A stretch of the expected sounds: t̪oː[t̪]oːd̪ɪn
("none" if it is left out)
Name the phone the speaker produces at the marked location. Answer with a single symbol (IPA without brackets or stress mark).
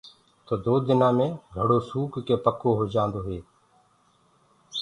d̪